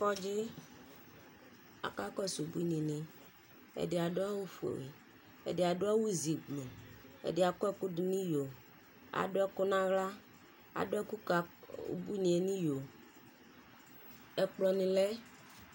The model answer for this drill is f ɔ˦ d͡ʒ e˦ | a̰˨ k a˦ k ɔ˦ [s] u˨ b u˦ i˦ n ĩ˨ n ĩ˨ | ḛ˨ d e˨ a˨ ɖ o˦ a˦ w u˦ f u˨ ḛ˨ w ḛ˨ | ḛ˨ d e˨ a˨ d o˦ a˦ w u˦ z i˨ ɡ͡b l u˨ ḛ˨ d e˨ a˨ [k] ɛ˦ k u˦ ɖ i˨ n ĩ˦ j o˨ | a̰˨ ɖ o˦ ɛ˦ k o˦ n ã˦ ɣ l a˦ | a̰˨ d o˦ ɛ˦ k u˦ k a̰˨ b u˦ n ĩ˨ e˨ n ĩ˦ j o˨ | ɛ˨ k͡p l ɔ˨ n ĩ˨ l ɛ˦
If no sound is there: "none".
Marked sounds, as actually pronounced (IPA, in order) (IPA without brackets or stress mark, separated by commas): s, k